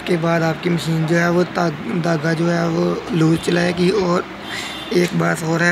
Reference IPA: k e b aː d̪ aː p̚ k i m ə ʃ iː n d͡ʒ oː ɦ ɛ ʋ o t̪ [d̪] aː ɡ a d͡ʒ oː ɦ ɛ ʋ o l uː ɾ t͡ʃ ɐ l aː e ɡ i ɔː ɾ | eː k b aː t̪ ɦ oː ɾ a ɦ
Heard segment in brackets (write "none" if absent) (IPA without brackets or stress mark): d̪